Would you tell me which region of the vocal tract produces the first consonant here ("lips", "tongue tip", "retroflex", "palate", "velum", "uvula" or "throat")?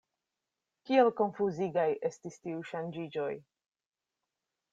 velum